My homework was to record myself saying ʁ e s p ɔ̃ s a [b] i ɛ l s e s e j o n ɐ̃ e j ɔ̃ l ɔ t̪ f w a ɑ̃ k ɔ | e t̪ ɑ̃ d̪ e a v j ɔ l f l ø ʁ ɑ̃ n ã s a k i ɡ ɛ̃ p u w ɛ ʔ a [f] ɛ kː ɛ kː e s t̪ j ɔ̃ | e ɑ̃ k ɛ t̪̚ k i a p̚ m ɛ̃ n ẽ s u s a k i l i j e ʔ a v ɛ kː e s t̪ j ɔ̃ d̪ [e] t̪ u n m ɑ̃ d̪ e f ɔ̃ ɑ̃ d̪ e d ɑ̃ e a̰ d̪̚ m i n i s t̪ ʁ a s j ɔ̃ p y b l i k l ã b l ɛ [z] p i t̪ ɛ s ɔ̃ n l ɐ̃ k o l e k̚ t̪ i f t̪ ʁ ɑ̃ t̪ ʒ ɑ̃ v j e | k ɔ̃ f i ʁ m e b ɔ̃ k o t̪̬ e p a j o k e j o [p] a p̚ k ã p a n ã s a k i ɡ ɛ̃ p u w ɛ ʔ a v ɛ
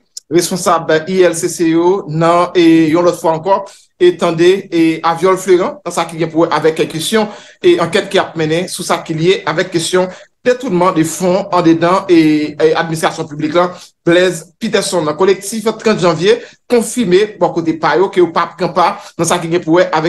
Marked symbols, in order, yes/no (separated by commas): yes, no, yes, yes, yes